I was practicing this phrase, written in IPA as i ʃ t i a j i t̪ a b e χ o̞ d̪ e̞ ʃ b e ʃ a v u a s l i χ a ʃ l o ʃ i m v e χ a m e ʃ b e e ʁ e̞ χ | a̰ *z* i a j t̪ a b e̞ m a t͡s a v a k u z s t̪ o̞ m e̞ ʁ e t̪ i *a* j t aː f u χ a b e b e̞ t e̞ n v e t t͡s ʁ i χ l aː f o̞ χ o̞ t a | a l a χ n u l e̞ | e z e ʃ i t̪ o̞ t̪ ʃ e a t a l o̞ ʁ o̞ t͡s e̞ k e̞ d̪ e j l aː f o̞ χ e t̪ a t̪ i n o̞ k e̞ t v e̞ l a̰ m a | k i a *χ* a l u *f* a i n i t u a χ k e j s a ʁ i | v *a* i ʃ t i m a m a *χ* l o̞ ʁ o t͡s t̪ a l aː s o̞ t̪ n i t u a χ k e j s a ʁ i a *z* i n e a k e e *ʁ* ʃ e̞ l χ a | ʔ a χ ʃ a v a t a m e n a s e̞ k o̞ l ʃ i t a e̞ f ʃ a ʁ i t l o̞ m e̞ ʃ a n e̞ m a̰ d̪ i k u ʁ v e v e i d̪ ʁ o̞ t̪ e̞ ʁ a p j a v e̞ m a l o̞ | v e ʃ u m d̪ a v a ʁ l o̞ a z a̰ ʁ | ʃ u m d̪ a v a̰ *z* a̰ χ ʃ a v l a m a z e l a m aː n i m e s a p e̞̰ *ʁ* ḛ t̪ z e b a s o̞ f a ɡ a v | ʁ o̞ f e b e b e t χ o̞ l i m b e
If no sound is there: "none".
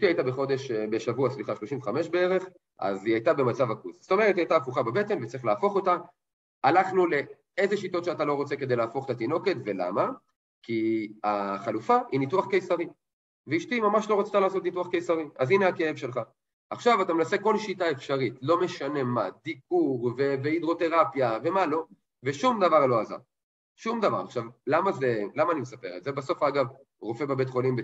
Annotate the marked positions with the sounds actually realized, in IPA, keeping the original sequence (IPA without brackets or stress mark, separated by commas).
z, a, χ, f, e, ʃ, z, v, ʁ, ʁ